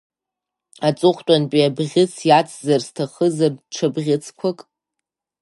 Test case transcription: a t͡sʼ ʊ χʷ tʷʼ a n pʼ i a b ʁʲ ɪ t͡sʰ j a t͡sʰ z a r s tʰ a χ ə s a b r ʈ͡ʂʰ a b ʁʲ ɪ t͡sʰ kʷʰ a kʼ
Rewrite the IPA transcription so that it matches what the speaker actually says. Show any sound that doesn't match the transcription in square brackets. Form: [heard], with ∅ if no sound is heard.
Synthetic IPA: a t͡sʼ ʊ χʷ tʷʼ a n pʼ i a b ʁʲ ɪ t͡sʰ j a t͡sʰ z a r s tʰ a χ ə [z] a [∅] r ʈ͡ʂʰ a b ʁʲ ɪ t͡sʰ kʷʰ a kʼ